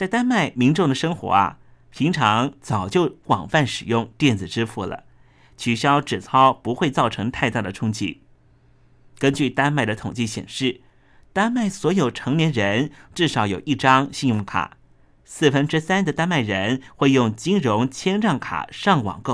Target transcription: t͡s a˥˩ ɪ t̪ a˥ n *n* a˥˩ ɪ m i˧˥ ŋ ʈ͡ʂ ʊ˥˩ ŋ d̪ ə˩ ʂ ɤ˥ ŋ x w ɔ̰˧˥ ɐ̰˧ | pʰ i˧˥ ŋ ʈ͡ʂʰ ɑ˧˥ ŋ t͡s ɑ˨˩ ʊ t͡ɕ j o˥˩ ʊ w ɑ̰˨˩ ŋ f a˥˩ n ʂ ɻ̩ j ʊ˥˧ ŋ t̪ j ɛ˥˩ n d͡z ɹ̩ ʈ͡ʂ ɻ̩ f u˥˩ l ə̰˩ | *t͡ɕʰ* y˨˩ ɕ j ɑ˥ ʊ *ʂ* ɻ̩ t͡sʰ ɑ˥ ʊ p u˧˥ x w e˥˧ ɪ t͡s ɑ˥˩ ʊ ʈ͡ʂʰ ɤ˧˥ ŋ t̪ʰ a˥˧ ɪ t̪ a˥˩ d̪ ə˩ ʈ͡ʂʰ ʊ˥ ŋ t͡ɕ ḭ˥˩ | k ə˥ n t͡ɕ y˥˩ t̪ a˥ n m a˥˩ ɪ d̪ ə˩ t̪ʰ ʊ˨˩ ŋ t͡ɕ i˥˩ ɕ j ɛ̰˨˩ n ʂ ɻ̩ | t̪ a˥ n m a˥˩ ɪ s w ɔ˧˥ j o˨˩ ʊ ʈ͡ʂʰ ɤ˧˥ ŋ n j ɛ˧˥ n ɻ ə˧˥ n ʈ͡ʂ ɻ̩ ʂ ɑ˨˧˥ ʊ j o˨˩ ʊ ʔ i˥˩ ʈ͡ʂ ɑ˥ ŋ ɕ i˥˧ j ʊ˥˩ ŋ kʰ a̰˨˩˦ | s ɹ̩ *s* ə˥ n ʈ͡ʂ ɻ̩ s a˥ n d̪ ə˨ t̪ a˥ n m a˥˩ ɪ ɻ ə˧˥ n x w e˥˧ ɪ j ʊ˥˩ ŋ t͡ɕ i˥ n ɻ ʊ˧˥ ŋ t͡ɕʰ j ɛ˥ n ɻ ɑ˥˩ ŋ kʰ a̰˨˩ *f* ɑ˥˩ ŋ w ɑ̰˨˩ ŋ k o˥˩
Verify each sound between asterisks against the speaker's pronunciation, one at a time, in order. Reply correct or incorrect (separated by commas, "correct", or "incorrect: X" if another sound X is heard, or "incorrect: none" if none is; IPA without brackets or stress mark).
incorrect: m, correct, incorrect: ʈ͡ʂ, incorrect: f, incorrect: ʂ